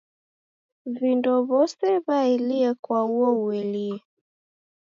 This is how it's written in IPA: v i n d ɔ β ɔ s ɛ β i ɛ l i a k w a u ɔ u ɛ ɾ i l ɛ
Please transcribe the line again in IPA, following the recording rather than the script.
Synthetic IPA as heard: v i n d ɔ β ɔ s ɛ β a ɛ l i ɛ k w a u ɔ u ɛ l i ɛ